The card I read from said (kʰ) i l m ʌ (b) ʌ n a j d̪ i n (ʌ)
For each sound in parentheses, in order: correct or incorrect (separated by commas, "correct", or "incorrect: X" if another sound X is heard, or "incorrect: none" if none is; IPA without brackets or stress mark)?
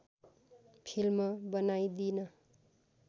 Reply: incorrect: pʰ, correct, correct